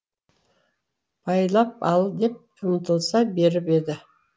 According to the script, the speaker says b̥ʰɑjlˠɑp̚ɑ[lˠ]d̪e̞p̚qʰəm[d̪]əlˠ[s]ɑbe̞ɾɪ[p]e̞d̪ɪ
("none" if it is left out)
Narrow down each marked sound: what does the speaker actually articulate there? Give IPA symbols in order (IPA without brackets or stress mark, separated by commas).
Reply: lˠ, t̪, s, p